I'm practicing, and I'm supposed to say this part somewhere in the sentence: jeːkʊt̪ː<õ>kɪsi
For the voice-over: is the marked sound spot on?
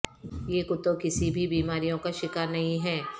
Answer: no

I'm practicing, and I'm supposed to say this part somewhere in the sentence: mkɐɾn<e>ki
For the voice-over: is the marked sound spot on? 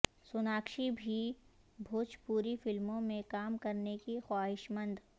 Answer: yes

